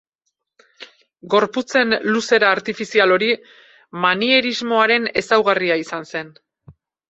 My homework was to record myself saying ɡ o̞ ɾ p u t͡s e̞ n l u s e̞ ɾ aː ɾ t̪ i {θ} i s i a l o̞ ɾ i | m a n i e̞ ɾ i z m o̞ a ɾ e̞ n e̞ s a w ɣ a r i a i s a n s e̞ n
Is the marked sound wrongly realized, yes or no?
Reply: yes